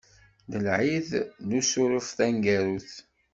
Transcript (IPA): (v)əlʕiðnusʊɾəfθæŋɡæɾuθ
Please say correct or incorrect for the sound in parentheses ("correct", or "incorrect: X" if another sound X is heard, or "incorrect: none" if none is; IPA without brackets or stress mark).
incorrect: ð